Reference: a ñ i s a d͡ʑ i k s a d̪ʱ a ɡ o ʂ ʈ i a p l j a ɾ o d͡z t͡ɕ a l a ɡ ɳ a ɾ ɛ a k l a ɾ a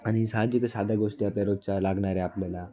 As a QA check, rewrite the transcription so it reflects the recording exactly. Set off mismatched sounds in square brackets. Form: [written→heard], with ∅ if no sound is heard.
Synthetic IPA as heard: a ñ i s a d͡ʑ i k s a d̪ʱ a ɡ o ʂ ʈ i a p l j a ɾ o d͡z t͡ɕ a l a ɡ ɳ a ɾ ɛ a [k→p] l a [ɾ→l] a